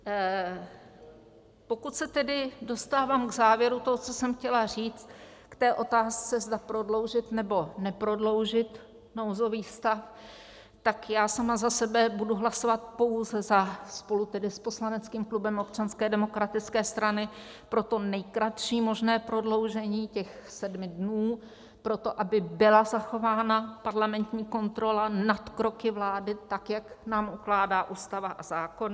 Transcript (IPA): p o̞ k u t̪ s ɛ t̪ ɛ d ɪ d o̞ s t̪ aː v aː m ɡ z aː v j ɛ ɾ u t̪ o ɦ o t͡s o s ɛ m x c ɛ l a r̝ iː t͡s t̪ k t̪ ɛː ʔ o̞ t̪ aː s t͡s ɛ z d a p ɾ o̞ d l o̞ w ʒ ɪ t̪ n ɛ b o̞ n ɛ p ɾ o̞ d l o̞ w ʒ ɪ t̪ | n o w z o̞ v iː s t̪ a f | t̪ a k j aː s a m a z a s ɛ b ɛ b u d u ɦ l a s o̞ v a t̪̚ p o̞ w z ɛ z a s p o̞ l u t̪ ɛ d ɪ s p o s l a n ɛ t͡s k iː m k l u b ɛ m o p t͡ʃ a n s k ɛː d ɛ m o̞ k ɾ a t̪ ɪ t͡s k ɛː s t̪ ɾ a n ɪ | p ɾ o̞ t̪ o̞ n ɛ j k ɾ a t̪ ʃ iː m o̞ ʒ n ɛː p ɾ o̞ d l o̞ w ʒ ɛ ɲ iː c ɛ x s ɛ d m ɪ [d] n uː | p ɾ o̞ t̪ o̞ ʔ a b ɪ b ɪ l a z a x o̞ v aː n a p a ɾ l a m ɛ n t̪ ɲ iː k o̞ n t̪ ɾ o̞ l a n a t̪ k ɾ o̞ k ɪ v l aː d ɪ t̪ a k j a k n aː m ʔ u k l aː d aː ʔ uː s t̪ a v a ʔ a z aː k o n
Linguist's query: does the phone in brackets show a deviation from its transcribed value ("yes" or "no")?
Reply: no